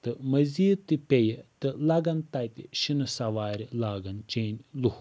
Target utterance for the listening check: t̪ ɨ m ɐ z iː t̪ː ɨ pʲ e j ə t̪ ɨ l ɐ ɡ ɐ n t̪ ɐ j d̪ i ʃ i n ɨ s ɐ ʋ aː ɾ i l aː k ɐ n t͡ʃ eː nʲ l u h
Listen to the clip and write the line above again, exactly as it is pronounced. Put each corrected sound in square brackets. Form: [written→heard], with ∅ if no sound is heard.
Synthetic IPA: t̪ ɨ m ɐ z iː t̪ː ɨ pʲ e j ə t̪ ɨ l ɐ ɡ ɐ n t̪ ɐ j [d̪→t̪] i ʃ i n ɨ s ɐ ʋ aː ɾ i l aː [k→ɡ] ɐ n t͡ʃ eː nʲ l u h